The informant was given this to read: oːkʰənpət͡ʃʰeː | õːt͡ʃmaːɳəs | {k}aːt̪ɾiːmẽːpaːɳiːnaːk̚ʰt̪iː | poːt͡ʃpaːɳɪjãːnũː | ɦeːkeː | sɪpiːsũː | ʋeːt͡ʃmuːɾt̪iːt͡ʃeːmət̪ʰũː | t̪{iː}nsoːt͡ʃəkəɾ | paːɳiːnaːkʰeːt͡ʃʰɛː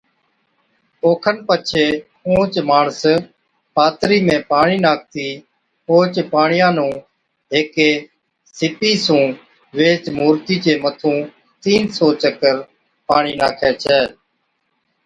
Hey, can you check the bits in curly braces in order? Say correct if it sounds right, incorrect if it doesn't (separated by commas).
incorrect, correct